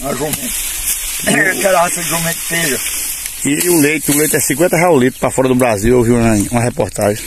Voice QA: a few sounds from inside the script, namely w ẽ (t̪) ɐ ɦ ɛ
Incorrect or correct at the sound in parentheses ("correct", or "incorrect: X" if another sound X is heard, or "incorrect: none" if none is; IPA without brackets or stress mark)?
correct